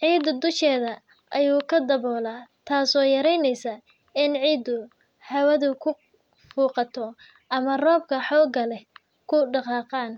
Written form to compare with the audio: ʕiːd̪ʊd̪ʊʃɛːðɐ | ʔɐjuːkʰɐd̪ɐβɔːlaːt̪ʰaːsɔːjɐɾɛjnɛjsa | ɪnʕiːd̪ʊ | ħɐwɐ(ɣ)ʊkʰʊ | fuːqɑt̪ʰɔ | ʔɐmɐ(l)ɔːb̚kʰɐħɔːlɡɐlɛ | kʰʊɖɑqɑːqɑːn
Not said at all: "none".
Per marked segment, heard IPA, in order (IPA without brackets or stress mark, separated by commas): ð, r